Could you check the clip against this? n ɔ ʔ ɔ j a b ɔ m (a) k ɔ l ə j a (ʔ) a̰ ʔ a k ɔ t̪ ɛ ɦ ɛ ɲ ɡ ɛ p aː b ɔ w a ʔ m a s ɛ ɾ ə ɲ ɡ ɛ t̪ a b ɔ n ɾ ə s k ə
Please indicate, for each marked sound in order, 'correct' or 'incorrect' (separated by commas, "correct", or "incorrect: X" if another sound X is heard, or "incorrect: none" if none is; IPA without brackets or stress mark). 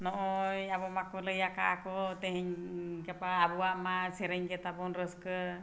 correct, incorrect: k